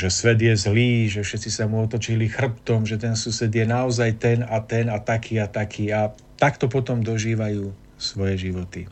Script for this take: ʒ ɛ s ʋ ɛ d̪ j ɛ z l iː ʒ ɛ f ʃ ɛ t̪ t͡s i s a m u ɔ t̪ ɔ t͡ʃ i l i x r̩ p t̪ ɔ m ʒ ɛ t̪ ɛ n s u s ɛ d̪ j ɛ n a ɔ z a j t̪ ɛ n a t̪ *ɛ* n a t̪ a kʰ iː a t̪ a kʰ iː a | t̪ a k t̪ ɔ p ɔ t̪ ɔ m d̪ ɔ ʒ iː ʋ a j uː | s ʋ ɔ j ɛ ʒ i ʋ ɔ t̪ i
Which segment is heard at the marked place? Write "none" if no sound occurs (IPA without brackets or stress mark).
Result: ɛ